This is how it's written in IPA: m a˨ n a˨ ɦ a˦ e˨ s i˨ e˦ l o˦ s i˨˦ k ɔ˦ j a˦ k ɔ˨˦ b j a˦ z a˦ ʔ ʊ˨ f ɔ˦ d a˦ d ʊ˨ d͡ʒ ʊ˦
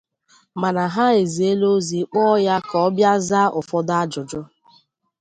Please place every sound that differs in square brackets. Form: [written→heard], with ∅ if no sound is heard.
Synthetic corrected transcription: m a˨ n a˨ ɦ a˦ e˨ [s→z] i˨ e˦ l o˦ [s→z] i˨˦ [k→k͡p] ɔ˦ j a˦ k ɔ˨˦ b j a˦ z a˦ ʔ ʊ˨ f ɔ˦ d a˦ [d→d͡ʒ] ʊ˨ d͡ʒ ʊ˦